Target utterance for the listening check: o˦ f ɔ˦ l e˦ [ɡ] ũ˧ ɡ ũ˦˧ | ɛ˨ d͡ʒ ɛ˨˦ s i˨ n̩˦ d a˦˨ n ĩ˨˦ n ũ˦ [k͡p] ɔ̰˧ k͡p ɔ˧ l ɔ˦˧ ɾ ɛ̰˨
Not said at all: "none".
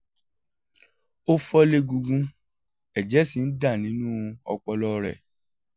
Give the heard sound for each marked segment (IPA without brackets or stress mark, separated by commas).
ɡ, none